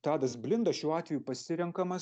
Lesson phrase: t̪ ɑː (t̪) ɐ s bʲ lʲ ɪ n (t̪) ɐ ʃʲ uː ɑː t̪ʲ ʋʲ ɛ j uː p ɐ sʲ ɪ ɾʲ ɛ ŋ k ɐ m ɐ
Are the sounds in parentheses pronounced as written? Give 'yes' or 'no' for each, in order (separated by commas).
no, no